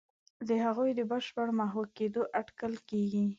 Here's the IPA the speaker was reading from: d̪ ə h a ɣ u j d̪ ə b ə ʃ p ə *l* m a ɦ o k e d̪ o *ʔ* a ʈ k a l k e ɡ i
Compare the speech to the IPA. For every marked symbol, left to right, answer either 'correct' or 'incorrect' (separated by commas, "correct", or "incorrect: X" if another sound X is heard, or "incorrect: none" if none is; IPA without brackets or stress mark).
incorrect: ɽ, correct